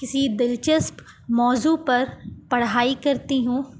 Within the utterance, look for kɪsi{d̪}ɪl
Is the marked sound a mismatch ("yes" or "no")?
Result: no